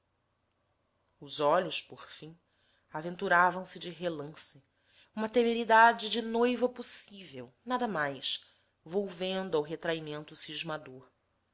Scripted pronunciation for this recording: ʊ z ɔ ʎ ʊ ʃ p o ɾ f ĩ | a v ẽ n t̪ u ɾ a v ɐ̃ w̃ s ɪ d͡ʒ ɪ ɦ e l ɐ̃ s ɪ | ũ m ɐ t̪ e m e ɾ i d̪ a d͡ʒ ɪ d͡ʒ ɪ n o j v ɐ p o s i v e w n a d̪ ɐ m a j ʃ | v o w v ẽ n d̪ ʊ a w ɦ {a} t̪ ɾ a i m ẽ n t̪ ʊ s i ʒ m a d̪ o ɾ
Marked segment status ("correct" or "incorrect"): incorrect